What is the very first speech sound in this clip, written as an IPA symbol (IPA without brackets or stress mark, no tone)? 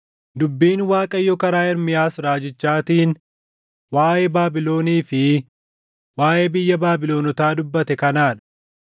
d̪